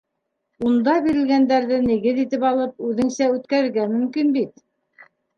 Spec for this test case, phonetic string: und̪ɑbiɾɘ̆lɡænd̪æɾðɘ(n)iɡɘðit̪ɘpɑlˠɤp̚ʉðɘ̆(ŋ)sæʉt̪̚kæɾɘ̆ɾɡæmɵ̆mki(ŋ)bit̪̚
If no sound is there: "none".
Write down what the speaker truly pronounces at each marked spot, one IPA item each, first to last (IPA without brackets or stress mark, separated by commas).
n, ŋ, n